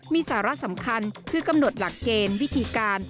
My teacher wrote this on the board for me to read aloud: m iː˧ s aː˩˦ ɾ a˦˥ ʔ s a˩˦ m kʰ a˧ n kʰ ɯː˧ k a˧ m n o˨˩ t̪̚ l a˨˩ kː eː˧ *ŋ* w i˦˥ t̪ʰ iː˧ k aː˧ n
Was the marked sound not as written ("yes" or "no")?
yes